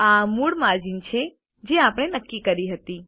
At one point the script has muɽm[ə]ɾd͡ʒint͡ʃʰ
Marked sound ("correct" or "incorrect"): incorrect